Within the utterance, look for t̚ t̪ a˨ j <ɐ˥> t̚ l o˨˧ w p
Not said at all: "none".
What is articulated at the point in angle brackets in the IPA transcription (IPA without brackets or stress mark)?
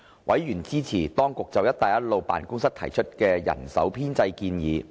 ɐ˥